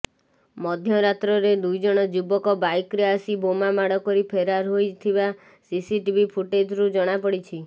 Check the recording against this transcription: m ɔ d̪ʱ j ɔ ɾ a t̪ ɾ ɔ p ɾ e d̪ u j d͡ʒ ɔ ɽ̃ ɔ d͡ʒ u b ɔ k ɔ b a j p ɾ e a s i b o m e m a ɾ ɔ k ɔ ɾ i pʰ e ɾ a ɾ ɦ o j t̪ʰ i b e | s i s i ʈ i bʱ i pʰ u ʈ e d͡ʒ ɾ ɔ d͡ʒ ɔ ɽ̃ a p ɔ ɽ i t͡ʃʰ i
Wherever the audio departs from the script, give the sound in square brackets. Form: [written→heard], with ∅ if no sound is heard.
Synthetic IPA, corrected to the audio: m ɔ d̪ʱ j ɔ ɾ a t̪ ɾ ɔ [p→∅] ɾ e d̪ u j d͡ʒ ɔ ɽ̃ ɔ d͡ʒ u b ɔ k ɔ b a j [p→k] ɾ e a s i b o m [e→a] m a [ɾ→ɽ] ɔ k ɔ ɾ i pʰ e ɾ a ɾ ɦ o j t̪ʰ i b [e→a] | s i s i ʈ i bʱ i pʰ u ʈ e d͡ʒ ɾ [ɔ→u] d͡ʒ ɔ ɽ̃ a p ɔ ɽ i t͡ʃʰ i